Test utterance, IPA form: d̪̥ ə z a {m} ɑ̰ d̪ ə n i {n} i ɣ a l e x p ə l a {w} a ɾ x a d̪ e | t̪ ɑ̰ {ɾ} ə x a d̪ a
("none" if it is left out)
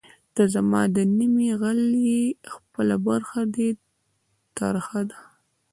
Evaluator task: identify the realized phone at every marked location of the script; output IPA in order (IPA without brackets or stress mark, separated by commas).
m, m, b, ɾ